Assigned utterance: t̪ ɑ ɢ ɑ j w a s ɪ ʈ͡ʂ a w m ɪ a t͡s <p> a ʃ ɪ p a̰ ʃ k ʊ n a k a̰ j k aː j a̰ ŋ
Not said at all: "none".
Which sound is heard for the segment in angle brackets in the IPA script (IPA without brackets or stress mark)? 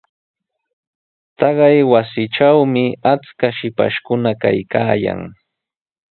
k